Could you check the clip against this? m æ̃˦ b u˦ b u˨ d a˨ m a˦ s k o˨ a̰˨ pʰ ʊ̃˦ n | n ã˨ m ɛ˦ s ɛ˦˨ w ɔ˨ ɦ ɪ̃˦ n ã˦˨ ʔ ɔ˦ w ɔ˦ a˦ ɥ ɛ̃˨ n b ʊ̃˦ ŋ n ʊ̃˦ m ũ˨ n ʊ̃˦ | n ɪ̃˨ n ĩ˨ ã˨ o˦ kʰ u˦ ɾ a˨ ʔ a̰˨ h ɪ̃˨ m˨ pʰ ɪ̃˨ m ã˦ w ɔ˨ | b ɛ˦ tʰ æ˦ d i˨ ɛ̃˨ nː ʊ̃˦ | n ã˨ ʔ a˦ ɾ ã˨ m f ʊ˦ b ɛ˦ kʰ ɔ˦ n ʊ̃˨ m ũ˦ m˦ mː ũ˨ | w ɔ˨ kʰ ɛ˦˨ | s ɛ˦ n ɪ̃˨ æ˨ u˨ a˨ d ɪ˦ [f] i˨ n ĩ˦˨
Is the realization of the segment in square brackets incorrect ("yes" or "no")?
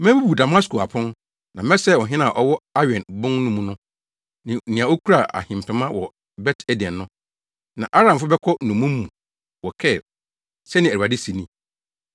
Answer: yes